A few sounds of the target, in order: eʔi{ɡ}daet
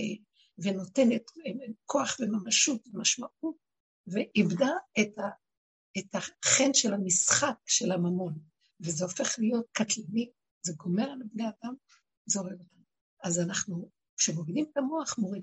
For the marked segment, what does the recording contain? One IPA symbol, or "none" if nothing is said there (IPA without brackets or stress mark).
b